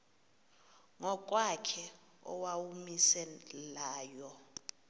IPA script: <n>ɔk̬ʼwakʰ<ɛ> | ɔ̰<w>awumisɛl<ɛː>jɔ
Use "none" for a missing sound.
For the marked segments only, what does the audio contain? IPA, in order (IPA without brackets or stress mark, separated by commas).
ŋ, ɛ, w, aː